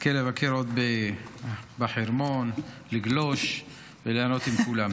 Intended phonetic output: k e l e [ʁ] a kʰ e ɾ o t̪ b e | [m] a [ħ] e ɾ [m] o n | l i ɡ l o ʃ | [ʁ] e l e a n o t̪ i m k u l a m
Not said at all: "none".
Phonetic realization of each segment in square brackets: v, b, ħ, m, v

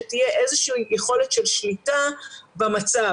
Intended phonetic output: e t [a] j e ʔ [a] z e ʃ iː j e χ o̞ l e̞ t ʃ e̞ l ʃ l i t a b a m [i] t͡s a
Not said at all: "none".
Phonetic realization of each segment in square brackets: i, e, a

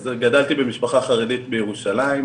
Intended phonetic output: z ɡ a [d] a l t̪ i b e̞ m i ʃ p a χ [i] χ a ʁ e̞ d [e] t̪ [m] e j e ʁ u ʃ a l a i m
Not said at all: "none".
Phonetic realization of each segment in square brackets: d, a, i, b

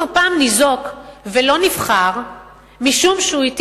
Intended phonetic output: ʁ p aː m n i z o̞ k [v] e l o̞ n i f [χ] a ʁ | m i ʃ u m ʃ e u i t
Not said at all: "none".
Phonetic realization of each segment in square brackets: v, χ

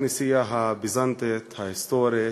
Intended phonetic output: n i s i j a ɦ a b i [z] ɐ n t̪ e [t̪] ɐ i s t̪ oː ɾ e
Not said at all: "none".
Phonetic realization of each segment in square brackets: z, t̪ʰ

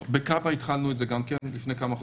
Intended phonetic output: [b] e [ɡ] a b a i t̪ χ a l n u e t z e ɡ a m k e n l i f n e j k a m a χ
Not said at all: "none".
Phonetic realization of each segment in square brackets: b, k

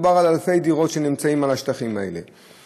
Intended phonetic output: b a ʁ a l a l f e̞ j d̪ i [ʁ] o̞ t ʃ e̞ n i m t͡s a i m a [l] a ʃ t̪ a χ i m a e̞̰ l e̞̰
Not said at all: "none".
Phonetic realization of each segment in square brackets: ʁ, l

